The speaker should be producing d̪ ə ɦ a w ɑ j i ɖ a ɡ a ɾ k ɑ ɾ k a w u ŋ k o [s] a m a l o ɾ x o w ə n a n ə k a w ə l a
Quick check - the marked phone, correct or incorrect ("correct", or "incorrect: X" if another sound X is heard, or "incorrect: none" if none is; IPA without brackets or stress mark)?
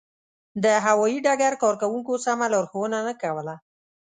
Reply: correct